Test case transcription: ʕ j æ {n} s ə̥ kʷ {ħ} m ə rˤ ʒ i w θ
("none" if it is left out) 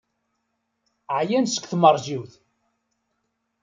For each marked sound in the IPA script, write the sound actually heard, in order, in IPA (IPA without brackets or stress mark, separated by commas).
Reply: n, θ